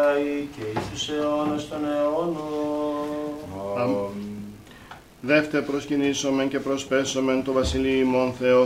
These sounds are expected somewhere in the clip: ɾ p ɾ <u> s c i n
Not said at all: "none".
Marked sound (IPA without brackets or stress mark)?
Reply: o